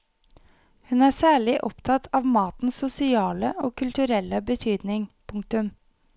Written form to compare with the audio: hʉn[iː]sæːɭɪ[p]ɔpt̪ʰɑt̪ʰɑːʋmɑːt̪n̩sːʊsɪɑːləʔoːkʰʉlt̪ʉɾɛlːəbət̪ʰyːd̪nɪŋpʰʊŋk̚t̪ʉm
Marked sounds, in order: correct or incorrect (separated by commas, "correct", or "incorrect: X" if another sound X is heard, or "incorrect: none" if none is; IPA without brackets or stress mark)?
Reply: incorrect: æː, incorrect: ʔ